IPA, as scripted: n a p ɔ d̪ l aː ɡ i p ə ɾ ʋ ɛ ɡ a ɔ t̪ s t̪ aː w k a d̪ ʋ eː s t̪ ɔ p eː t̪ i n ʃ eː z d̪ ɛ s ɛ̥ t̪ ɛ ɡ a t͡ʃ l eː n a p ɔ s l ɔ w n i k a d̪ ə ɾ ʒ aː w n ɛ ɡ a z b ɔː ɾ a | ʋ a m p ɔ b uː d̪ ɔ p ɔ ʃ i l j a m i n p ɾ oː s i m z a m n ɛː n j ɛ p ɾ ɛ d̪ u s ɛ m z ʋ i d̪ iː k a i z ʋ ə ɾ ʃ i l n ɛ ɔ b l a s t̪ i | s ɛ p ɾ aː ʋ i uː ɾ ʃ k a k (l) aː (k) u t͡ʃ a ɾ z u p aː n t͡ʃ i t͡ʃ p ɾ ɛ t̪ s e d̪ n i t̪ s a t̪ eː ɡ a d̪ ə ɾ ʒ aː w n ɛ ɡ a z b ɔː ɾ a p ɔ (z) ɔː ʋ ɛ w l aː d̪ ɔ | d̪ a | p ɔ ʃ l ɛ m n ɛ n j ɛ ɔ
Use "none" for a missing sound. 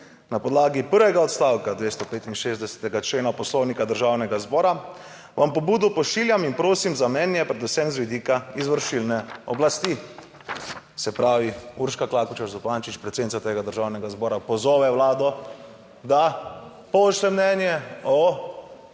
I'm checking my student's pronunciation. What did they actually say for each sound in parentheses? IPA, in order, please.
l, k, z

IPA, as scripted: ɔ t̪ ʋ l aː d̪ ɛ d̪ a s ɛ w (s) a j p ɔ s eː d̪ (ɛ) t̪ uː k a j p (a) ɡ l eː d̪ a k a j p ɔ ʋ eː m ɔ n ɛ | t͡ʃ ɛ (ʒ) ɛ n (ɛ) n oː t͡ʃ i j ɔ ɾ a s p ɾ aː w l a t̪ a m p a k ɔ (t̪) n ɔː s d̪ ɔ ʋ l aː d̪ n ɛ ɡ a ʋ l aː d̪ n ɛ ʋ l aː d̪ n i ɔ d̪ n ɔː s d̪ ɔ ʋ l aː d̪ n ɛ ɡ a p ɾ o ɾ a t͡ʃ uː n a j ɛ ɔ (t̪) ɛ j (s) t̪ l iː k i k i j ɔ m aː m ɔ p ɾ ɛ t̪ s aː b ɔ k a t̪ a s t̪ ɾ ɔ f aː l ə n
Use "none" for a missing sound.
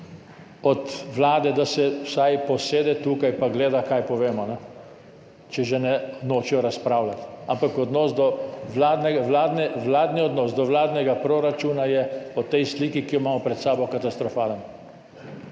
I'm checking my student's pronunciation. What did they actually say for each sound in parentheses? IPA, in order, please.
s, ɛ, a, ʒ, ɛ, d̪, t̪, s

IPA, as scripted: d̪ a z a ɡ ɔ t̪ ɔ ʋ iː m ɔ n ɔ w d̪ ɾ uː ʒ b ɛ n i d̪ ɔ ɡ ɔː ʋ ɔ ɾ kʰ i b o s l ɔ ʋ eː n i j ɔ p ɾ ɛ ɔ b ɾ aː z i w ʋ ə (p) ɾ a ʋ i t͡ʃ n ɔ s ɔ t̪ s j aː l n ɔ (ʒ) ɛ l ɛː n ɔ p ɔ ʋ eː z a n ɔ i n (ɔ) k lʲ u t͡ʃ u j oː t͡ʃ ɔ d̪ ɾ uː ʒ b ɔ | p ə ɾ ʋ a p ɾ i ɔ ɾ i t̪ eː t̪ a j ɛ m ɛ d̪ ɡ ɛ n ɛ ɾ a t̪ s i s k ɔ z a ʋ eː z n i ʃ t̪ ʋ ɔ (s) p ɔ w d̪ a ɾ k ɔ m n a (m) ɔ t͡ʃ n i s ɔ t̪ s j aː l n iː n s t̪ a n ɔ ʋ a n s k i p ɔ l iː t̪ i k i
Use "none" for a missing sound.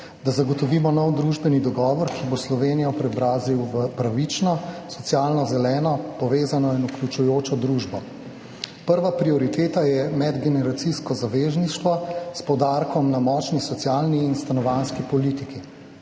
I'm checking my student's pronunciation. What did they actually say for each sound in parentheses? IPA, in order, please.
p, z, u, s, m

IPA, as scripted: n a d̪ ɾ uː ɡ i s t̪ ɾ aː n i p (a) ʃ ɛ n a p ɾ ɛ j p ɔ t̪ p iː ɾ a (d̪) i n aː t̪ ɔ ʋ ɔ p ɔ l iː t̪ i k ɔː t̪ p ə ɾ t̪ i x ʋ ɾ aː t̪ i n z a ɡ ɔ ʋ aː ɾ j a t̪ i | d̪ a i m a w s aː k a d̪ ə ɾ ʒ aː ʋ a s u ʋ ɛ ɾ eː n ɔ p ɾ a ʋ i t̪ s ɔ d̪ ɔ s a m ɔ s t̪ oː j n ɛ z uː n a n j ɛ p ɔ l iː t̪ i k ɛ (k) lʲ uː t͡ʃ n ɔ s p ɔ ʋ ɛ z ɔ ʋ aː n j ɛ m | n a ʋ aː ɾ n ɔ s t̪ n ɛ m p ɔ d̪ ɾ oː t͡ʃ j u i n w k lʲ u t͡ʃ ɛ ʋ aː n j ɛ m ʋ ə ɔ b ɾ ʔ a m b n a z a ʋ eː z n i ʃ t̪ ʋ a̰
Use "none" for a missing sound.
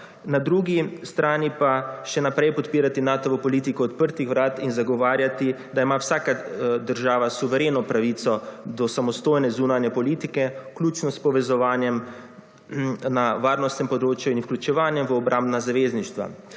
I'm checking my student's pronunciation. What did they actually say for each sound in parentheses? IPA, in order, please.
a, t̪, k

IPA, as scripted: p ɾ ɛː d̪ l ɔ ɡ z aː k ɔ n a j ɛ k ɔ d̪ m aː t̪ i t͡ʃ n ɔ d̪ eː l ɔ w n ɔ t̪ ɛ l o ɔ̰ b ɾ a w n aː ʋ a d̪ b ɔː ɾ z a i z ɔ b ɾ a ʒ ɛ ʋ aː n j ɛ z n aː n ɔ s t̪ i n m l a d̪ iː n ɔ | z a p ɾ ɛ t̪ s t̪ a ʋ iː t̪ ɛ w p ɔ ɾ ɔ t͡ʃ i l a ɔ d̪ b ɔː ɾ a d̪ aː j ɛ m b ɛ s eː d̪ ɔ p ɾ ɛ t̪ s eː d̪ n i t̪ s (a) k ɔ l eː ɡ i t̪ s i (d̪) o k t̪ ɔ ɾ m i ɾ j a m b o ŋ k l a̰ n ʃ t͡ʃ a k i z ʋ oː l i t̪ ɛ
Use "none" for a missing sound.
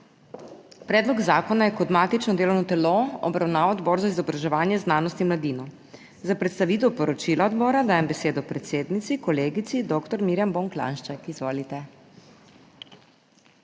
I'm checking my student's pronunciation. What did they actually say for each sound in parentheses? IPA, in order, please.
i, d̪

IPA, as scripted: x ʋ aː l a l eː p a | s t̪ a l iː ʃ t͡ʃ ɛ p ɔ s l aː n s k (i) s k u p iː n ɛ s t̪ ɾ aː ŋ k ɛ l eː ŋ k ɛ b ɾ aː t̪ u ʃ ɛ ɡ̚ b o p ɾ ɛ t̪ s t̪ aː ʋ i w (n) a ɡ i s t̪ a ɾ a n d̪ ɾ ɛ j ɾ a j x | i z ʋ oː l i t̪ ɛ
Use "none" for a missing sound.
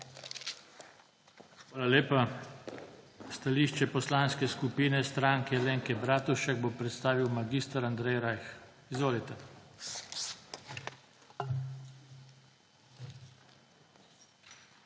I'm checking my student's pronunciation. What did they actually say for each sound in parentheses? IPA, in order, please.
ɛ, m

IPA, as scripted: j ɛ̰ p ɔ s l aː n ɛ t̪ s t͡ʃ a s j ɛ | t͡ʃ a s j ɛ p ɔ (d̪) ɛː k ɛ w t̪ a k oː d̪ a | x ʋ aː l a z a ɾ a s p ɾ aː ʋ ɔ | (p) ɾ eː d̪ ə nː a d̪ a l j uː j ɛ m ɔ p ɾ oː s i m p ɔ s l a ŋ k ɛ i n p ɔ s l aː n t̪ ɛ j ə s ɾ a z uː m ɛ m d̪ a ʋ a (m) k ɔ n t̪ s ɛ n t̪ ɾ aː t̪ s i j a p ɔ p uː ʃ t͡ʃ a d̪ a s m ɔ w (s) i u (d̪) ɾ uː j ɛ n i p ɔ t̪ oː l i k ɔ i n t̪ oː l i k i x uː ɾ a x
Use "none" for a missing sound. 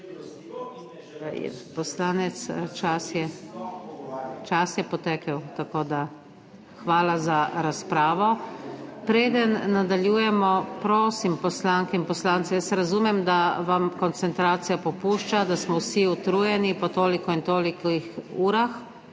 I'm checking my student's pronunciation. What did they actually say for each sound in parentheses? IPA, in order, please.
t̪, p, m, s, t̪

